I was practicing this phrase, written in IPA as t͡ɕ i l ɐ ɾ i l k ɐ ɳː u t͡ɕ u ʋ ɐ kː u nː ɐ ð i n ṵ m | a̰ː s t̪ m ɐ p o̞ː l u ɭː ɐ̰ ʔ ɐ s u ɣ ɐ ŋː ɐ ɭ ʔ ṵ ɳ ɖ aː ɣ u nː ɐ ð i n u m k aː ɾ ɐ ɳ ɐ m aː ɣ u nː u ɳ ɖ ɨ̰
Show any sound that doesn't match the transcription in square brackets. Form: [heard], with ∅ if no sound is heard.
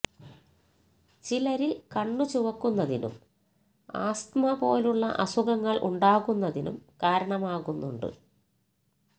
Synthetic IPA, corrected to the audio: t͡ɕ i l ɐ ɾ i l k ɐ ɳː u t͡ɕ u ʋ ɐ kː u nː ɐ ð i n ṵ m | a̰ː s t̪ m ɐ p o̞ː l u ɭː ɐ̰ ʔ ɐ s u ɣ ɐ ŋː ɐ ɭ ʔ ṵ ɳ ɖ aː ɣ u nː ɐ ð i n u m k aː ɾ ɐ ɳ ɐ m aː ɣ u nː u ɳ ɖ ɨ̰